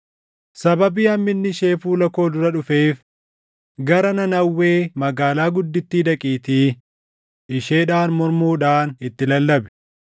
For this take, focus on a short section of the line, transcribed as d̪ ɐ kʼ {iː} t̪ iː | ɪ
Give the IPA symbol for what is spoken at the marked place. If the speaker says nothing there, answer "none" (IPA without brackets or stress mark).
iː